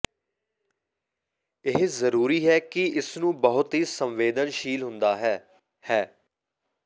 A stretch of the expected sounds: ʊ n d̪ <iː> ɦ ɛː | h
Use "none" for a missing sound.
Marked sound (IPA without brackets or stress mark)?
aː